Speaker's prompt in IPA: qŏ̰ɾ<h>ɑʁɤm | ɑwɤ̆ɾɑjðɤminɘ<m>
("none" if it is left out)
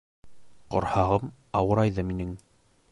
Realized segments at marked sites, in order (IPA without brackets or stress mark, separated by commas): h, ŋ